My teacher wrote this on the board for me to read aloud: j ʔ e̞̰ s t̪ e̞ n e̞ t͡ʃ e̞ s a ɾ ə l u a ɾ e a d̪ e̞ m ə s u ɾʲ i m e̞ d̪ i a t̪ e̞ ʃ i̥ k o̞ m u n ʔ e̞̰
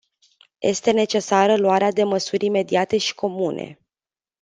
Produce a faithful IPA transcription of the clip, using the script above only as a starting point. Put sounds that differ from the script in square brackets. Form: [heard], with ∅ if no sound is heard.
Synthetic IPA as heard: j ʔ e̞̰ s t̪ e̞ n e̞ t͡ʃ e̞ s a ɾ ə l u a ɾ e a d̪ e̞ m ə s u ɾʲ i m e̞ d̪ i a t̪ e̞ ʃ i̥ k o̞ m u n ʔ e̞̰